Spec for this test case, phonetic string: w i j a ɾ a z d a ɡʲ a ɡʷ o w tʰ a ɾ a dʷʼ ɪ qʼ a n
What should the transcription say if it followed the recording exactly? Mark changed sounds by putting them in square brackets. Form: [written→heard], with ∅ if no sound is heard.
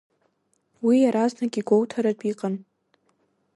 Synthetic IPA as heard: w i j a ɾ a z [d→n] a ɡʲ [a→i] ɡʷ o w tʰ a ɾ a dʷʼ [ɪ→i] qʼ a n